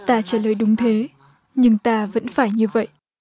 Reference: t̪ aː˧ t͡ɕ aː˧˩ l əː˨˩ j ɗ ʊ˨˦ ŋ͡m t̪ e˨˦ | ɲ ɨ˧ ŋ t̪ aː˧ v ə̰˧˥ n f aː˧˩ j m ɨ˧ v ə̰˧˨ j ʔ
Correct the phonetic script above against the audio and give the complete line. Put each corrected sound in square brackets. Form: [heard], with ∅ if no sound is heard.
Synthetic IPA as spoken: t̪ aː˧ t͡ɕ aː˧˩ l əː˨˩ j ɗ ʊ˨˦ ŋ͡m [t̪ʰ] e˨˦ | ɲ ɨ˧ ŋ t̪ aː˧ v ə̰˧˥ n f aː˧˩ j [ɲ] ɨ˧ v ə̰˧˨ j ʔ